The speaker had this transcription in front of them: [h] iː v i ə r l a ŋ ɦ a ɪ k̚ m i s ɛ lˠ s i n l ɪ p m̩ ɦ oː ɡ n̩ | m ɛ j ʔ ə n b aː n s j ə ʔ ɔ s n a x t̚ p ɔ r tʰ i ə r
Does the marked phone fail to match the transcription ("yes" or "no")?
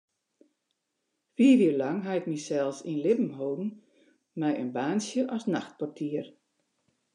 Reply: yes